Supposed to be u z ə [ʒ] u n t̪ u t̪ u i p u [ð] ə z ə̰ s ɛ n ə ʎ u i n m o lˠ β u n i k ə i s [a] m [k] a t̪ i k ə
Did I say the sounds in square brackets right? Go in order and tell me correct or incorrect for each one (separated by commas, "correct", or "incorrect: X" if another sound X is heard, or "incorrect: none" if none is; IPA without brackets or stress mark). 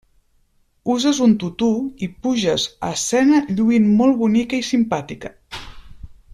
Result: incorrect: z, incorrect: ʒ, incorrect: i, incorrect: p